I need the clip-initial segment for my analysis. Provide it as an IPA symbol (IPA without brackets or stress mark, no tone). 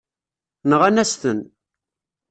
n